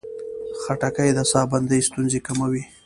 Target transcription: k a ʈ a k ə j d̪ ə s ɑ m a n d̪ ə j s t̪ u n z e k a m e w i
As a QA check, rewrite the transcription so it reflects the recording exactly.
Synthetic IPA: x a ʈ a k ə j d̪ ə s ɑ b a n d̪ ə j s t̪ u n z e k a m a w i